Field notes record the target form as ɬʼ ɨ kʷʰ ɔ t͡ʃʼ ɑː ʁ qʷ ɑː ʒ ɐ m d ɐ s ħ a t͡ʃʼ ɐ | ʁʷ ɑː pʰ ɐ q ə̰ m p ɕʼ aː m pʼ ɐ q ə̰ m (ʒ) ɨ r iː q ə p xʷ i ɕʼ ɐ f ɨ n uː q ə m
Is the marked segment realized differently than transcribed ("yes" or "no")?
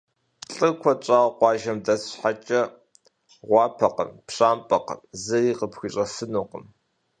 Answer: yes